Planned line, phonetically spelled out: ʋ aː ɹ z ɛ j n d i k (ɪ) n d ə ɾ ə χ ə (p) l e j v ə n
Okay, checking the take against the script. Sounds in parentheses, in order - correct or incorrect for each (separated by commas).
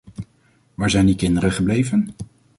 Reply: correct, incorrect